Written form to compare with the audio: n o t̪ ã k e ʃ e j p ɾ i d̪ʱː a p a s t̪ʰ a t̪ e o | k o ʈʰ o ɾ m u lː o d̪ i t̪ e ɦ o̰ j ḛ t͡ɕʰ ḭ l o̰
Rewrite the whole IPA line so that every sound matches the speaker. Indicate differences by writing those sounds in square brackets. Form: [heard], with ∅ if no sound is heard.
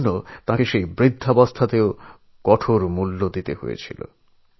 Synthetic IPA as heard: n o t̪ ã k e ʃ e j [b] ɾ i d̪ʱː a [b] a s t̪ʰ a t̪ e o | k [ɔ] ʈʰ o ɾ m u lː o d̪ i t̪ e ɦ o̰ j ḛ t͡ɕʰ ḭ l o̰